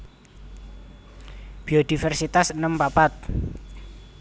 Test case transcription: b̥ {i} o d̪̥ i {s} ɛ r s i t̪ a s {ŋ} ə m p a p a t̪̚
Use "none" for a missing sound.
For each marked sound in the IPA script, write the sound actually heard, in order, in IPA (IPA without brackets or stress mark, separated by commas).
i, f, n